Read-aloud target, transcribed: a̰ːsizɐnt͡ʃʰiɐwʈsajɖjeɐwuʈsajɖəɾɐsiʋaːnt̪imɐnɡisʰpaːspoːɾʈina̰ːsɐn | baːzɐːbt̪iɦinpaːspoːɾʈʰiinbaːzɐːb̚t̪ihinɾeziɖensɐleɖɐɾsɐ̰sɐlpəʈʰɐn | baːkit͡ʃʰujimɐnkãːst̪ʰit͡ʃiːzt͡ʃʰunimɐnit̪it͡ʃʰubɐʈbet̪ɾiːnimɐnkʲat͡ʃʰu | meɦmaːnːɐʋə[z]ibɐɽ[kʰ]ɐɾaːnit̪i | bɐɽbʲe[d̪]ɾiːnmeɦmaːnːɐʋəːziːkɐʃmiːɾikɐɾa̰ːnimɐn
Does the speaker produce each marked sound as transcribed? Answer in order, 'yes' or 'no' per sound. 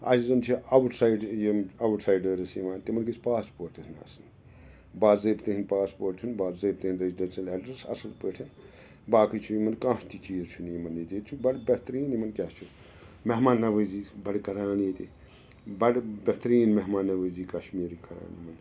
yes, no, no

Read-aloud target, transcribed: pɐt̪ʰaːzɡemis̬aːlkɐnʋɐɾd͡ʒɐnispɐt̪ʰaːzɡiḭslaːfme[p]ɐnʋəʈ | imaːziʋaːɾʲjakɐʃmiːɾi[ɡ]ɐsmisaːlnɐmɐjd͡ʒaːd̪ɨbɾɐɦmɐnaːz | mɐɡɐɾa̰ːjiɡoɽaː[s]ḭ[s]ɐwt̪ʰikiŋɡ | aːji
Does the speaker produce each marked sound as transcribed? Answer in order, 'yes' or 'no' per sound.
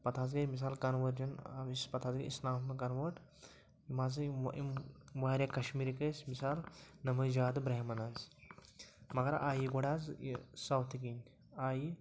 no, no, no, yes

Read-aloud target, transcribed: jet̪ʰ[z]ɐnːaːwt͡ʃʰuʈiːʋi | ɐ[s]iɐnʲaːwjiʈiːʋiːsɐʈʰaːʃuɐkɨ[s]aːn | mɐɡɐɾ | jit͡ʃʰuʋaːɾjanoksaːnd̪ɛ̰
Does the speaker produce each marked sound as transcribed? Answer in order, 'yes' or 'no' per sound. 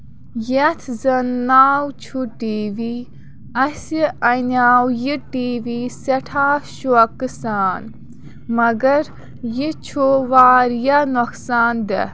yes, yes, yes

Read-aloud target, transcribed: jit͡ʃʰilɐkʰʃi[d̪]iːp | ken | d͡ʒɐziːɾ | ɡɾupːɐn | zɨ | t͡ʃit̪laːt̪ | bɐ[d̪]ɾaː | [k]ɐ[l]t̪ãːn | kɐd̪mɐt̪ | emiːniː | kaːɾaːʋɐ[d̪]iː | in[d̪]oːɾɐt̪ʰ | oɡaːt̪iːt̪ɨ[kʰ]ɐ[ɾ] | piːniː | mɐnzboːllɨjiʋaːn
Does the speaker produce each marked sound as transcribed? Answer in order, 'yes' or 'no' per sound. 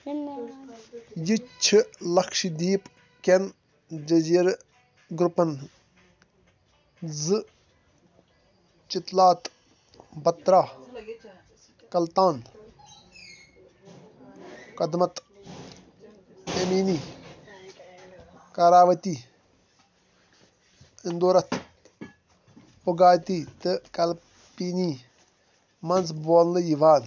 yes, no, yes, yes, no, yes, no, no

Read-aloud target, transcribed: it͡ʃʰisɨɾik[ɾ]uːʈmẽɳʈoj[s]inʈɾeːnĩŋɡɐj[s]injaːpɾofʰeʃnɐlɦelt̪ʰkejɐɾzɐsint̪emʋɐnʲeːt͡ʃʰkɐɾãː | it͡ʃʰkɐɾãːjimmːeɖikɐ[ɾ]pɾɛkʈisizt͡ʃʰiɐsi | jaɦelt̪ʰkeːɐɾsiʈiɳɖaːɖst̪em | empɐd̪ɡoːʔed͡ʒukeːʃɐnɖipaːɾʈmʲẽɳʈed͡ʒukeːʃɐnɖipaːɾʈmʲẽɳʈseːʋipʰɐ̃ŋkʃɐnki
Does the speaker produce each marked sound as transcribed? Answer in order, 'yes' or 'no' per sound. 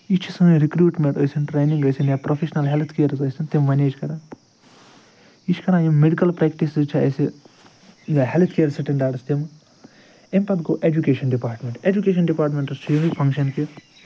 yes, yes, yes, no

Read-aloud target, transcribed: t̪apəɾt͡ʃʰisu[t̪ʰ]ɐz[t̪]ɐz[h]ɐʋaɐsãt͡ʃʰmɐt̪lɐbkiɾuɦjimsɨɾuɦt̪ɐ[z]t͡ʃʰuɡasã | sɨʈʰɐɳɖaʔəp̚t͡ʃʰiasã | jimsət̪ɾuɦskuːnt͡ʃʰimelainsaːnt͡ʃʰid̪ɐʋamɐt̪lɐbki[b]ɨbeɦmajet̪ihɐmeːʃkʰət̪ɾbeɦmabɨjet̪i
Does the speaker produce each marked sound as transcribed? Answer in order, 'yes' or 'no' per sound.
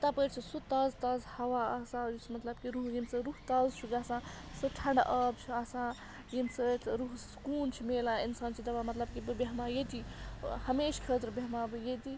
no, yes, yes, yes, yes

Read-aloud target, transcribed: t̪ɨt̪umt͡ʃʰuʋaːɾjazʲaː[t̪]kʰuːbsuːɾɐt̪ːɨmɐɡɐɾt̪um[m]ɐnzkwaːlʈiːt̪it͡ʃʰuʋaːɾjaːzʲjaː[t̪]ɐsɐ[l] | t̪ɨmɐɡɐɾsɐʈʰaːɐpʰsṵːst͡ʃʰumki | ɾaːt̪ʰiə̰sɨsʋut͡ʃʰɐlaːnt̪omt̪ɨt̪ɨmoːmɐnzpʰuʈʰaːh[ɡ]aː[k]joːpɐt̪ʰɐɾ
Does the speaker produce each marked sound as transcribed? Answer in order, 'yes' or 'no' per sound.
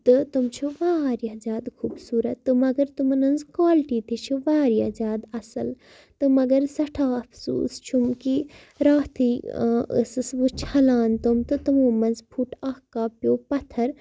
no, no, no, yes, no, no

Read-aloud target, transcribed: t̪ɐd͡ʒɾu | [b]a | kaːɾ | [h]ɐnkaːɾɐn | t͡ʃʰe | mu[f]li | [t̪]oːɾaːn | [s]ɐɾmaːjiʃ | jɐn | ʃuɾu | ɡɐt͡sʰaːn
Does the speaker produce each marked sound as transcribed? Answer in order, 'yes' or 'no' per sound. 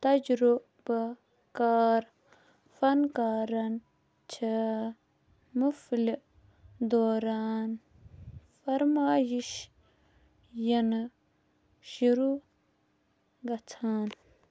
yes, no, yes, no, no

